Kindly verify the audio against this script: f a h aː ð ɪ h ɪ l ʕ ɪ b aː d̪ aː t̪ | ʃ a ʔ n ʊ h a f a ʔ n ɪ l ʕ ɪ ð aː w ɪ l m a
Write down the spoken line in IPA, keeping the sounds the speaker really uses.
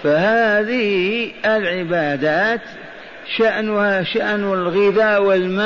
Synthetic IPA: f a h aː ð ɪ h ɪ l ʕ ɪ b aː d̪ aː t̪ | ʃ a ʔ n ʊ h a ʃ a ʔ n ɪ l ɣ ɪ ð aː w ɪ l m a